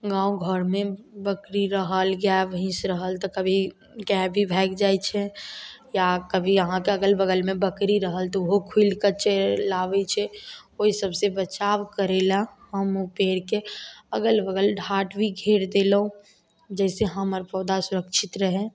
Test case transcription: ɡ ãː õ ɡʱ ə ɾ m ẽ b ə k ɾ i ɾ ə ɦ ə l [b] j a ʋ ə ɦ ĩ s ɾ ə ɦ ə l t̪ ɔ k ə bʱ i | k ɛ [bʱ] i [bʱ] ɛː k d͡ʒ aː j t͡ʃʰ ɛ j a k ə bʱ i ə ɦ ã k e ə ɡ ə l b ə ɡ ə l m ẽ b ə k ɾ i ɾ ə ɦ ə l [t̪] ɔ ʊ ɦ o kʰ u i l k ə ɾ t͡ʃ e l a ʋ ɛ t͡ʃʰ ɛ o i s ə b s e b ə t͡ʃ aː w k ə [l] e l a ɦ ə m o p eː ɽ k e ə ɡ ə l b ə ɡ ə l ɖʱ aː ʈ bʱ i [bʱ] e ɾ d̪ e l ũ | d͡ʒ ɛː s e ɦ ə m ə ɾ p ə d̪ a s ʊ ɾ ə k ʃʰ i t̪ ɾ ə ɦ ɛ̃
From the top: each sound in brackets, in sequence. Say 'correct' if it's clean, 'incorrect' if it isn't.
incorrect: ɡ, correct, correct, correct, incorrect: ɾ, incorrect: ɡʱ

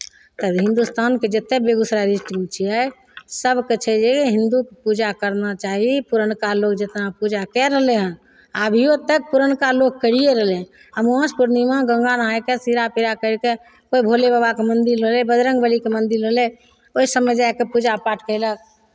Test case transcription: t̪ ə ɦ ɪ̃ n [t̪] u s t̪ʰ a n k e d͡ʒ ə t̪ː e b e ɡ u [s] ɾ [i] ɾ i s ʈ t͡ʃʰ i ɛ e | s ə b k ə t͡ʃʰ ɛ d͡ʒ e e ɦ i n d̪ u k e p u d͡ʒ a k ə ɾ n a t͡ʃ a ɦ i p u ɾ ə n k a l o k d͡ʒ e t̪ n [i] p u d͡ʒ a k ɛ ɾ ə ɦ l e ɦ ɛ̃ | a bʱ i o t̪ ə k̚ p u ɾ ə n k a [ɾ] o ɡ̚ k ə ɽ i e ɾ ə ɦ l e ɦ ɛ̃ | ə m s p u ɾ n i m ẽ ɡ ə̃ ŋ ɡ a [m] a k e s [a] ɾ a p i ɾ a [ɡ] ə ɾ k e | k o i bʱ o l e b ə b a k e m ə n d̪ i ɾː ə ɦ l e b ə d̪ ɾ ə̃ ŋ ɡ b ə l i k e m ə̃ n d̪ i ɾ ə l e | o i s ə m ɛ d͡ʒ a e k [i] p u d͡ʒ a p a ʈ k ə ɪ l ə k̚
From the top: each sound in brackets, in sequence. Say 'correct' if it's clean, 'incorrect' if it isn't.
incorrect: d̪, correct, incorrect: a, incorrect: a, incorrect: l, incorrect: n, incorrect: i, incorrect: k, incorrect: e

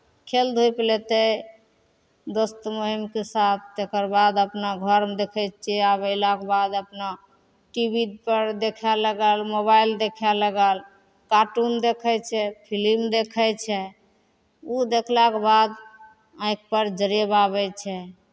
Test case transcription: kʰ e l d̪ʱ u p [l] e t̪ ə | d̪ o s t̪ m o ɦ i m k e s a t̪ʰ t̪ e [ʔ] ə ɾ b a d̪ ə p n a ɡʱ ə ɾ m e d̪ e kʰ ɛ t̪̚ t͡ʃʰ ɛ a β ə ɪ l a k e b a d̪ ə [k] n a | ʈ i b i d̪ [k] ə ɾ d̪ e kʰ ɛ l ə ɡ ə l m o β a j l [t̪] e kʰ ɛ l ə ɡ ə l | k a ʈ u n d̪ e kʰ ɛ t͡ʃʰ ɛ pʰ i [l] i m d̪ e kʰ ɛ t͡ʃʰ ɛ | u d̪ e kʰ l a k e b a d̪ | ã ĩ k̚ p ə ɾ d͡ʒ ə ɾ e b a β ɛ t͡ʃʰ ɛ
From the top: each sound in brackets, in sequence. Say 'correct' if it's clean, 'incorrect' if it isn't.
correct, incorrect: k, incorrect: p, incorrect: p, incorrect: d̪, correct

